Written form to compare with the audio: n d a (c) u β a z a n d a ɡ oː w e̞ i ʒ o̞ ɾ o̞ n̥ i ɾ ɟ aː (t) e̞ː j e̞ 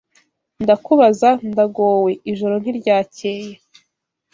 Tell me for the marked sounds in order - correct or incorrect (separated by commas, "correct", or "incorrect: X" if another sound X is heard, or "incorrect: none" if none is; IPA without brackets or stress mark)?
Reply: incorrect: k, incorrect: c